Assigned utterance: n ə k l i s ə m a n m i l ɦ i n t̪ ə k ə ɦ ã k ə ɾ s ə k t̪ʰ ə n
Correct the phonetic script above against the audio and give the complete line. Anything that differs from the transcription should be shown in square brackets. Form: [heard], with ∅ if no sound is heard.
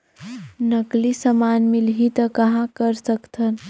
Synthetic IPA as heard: n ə k l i s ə m a n m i l ɦ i [∅] t̪ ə k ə ɦ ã k ə ɾ s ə k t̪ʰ ə n